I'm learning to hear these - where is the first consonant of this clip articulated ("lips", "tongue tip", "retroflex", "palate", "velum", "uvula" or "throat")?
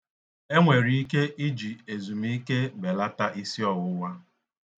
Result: velum